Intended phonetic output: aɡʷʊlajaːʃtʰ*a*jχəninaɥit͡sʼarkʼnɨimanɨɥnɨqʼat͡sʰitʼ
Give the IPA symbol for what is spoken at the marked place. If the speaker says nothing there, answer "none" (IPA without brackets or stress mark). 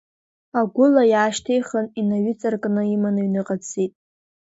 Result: e